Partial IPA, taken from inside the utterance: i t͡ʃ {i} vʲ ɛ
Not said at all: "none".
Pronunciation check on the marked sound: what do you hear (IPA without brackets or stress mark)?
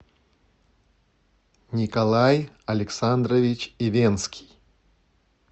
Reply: i